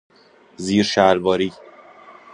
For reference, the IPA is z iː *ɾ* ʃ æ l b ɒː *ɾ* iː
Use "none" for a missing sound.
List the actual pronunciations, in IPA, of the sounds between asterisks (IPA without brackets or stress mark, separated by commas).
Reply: ɾ, ɾ